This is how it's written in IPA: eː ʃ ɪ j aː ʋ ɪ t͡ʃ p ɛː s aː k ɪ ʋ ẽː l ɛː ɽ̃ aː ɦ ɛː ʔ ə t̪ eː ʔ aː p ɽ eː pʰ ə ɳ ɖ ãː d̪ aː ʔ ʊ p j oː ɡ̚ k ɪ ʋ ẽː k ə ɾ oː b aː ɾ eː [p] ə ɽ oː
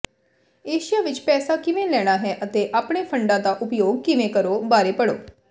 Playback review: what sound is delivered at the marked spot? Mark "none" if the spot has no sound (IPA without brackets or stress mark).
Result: p